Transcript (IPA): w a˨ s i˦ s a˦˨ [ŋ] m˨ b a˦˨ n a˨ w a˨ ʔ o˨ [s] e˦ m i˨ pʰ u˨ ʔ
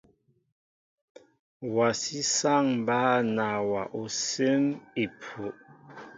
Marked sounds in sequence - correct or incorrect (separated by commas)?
correct, correct